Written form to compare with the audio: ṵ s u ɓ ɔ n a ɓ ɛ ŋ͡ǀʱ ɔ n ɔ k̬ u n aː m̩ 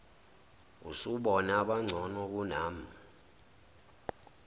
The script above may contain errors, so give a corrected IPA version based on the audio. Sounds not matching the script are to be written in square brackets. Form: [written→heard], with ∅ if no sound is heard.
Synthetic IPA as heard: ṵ s u ɓ ɔ n a ɓ [ɛ→a] ŋ͡ǀʱ ɔ n ɔ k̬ u n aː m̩